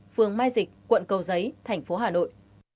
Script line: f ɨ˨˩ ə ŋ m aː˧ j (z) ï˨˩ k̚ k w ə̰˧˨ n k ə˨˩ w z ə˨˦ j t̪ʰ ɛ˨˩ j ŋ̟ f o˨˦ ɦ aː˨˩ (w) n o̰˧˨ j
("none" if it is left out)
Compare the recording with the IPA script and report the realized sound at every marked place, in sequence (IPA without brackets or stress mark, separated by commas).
z, none